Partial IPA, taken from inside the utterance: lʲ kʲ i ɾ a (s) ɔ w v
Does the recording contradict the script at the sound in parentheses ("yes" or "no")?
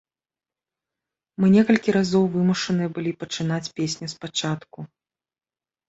yes